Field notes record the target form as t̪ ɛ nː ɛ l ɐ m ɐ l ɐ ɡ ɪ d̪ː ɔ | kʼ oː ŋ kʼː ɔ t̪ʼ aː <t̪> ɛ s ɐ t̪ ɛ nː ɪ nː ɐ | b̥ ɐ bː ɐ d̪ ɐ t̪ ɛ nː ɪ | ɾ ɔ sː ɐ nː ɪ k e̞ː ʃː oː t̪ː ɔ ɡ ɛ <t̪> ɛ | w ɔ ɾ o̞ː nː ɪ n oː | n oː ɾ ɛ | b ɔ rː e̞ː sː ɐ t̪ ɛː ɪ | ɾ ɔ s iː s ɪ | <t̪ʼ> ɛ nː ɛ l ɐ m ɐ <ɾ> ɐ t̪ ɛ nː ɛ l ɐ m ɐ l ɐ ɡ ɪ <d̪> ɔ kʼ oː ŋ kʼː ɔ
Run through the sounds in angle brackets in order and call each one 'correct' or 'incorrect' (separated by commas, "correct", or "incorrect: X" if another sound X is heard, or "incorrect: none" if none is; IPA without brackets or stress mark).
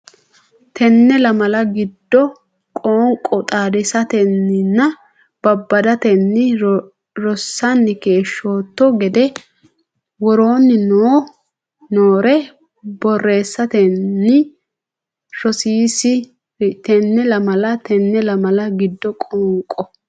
incorrect: d̪, incorrect: d̪, incorrect: t̪, incorrect: l, incorrect: d̪ː